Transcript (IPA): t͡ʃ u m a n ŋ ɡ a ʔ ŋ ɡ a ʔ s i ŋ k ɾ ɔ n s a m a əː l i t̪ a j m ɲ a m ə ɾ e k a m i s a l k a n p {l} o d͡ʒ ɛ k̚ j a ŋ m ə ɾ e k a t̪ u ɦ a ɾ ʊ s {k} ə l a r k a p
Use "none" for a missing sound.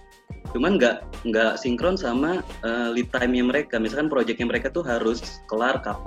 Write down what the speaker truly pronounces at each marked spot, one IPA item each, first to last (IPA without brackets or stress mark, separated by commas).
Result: ɾ, k